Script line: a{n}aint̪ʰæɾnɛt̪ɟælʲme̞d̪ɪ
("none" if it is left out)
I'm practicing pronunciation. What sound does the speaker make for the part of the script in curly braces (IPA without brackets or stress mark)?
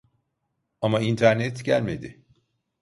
m